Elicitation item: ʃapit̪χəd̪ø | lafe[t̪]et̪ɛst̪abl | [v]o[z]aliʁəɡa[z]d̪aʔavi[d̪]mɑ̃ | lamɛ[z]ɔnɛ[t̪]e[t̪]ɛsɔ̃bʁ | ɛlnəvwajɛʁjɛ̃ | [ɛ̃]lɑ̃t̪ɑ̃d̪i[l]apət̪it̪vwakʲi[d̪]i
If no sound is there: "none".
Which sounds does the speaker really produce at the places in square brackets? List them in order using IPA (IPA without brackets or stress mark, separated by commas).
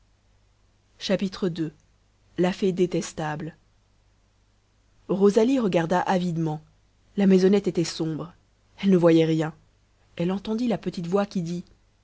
d̪, ʁ, z, ʁ, d̪, z, t̪, t̪, ɛ, l, d̪